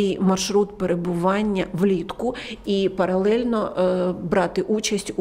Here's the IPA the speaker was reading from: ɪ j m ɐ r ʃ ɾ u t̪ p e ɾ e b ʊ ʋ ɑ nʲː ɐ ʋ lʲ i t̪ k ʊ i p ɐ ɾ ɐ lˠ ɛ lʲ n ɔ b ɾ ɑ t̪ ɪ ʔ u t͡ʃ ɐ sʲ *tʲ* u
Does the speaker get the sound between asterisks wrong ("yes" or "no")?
no